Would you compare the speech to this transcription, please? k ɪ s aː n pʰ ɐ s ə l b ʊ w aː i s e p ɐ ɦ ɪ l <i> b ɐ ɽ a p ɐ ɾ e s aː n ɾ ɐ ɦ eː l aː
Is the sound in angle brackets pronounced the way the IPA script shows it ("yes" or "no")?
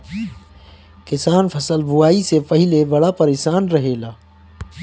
no